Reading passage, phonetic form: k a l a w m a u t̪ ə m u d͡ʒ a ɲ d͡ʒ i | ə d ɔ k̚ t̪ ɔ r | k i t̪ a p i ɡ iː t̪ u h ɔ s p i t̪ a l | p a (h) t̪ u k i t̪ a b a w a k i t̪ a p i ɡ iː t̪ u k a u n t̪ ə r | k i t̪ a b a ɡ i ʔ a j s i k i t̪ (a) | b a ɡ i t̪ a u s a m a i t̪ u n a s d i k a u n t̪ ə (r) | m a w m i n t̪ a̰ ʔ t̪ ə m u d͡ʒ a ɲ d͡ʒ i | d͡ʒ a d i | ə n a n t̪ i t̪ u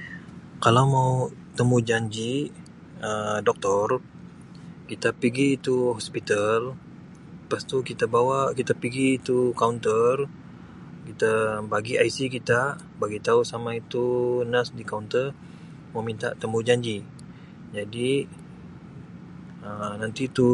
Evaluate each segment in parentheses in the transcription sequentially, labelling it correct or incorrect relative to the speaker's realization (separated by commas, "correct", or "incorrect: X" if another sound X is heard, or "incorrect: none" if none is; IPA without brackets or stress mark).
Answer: incorrect: s, correct, correct